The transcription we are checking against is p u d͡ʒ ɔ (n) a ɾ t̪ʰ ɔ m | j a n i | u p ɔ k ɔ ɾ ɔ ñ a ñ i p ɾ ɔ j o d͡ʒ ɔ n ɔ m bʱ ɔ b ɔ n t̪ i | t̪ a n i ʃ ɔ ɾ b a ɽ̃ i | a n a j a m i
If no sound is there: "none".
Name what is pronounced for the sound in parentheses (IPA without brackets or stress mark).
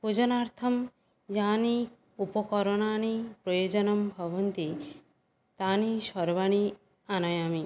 n